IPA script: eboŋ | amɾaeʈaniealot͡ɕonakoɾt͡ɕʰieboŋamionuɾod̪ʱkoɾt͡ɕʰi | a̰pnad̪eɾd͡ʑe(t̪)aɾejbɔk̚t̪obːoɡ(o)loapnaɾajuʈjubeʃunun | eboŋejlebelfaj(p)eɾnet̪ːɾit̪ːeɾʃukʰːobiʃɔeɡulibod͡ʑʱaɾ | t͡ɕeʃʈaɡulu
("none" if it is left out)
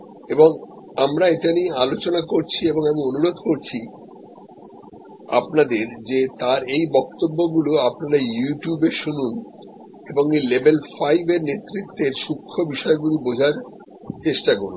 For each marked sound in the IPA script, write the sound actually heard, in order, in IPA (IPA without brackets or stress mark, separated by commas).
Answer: t̪, u, b